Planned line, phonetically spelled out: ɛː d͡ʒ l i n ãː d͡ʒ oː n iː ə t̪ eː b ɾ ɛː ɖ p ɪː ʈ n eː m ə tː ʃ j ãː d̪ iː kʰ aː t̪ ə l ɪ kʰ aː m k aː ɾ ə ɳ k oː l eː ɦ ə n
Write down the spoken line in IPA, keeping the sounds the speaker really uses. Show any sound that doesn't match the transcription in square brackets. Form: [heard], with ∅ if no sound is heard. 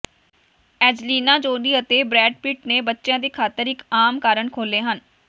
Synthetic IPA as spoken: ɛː d͡ʒ l [iː] n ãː d͡ʒ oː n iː ə t̪ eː b ɾ ɛː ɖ p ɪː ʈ n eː [b] ə tː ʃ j ãː d̪ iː kʰ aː t̪ ə [ɾ] ɪ [k] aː m k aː ɾ ə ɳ [kʰ] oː l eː ɦ ə n

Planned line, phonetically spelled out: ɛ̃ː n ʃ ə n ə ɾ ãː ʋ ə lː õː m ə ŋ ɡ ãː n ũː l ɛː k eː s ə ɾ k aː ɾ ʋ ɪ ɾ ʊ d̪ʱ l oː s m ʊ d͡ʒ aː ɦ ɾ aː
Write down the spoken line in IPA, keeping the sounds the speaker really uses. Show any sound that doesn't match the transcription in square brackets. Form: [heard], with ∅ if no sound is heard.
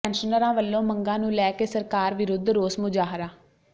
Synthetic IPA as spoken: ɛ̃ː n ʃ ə n ə ɾ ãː ʋ ə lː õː m ə ŋ ɡ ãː n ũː l ɛː k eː s ə ɾ k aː ɾ ʋ ɪ ɾ ʊ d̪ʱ [ɾ] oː s m ʊ d͡ʒ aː ɦ ɾ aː

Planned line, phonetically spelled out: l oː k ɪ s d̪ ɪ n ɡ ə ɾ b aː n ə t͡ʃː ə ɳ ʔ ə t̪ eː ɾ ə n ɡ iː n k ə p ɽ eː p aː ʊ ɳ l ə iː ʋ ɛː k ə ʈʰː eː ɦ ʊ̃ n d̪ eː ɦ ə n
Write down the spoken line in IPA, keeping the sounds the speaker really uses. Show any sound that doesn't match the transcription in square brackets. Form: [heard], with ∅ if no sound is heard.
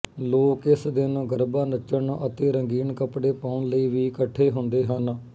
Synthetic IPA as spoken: l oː k ɪ s d̪ ɪ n ɡ ə ɾ b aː n ə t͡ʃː ə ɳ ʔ ə t̪ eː ɾ ə [ŋ] ɡ iː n k ə p ɽ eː p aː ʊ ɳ l ə iː ʋ [iː] k ə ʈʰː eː ɦ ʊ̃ n d̪ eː ɦ ə n

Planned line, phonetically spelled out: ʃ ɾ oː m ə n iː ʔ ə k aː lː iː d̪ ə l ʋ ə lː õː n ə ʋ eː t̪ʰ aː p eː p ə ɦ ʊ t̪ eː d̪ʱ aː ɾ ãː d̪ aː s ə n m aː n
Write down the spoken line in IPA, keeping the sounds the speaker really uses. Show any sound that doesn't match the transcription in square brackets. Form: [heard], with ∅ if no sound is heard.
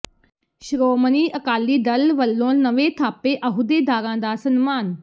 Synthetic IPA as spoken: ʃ ɾ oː m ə n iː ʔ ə k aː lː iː d̪ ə l ʋ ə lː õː n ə ʋ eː t̪ʰ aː p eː [ʔ] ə ɦ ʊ [d̪] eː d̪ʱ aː ɾ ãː d̪ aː s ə n m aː n

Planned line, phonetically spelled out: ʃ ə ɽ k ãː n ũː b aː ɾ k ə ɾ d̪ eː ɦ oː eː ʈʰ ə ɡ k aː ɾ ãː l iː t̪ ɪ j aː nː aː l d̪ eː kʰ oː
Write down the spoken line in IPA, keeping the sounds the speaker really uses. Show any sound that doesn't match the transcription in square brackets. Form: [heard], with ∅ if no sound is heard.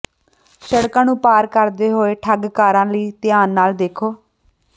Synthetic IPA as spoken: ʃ ə ɽ k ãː n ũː [p] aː ɾ k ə ɾ d̪ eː ɦ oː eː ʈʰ ə ɡ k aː ɾ ãː l iː t̪ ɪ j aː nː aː l d̪ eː kʰ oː

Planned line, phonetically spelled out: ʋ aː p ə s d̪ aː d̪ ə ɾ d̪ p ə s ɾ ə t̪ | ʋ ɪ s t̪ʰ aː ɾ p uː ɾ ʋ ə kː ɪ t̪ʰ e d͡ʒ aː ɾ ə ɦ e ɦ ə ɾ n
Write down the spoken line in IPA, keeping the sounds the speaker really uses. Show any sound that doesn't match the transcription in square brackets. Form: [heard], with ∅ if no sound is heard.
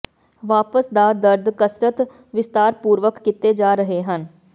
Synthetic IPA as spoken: ʋ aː p ə s d̪ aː d̪ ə ɾ d̪ [k] ə s ɾ ə t̪ | ʋ ɪ s [t̪] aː ɾ p uː ɾ ʋ ə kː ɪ [t̪] e d͡ʒ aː ɾ ə ɦ e ɦ ə [∅] n

